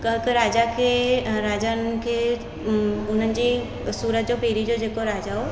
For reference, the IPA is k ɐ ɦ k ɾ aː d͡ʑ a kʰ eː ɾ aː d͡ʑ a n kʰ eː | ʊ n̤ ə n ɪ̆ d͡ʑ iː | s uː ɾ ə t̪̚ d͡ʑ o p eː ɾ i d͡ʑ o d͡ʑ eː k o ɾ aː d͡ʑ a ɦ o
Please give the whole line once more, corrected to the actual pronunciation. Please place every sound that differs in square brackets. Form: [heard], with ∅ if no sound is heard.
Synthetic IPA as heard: k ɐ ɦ k ɾ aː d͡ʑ a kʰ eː ɾ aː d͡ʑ a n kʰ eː | ʊ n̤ ə n ɪ̆ d͡ʑ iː | s uː ɾ ə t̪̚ d͡ʑ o p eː ɾ i d͡ʑ o d͡ʑ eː k o ɾ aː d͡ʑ a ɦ o